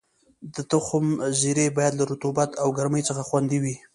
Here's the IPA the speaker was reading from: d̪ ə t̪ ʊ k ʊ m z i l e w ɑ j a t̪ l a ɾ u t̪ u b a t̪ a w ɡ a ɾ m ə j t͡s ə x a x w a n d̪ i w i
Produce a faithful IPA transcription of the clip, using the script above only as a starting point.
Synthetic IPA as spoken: d̪ ə t̪ ʊ x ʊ m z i ɾ e b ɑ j a d̪ l a ɾ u t̪ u b a t̪ a w ɡ a ɾ m ə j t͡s ə x a x w a n d̪ i w i